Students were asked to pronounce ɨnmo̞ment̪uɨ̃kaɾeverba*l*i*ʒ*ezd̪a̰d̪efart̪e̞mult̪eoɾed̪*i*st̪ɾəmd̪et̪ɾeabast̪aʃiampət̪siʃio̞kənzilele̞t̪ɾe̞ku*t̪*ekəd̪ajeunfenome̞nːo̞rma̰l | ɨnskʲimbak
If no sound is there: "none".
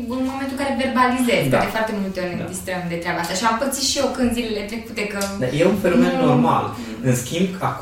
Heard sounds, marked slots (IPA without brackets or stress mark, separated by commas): l, z, i, t̪